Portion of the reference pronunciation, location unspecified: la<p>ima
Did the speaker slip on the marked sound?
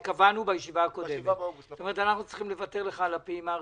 no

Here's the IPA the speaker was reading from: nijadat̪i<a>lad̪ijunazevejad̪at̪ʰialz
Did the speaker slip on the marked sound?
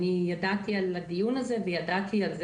no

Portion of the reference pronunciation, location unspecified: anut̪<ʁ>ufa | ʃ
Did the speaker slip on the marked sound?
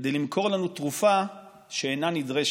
no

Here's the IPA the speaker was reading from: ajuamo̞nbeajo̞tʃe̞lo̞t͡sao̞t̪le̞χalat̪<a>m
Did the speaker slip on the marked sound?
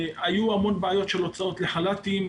yes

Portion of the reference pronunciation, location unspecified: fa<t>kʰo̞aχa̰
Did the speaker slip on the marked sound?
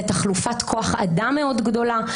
no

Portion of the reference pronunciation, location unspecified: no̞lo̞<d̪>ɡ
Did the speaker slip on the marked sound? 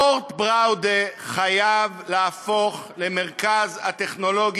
yes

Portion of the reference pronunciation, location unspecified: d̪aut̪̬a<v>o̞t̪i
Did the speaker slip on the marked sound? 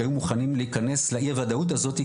yes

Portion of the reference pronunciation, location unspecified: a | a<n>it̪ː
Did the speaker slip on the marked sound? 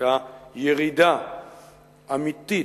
yes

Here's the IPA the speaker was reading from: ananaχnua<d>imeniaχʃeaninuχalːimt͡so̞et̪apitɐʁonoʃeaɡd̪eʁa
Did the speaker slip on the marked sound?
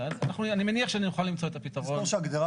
yes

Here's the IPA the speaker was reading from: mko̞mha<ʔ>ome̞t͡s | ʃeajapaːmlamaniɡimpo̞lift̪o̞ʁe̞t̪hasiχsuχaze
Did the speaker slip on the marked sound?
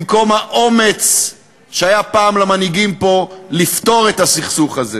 no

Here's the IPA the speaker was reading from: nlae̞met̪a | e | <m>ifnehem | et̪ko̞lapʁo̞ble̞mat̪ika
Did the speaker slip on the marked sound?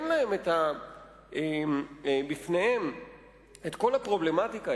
yes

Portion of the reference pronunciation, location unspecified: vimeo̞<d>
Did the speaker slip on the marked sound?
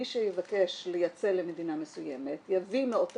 yes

